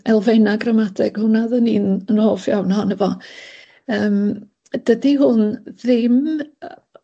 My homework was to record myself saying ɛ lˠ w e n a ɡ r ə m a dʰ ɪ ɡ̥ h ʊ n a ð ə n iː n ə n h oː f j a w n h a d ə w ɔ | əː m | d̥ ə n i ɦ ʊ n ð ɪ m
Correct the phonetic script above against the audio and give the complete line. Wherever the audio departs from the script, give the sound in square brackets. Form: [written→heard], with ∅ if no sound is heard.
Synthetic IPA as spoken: ɛ lˠ [w→v] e n a ɡ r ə m a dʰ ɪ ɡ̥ h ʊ n a ð ə n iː n ə n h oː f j a w n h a [d→n] ə [w→v] ɔ | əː m | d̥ ə [n→d] i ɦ ʊ n ð ɪ m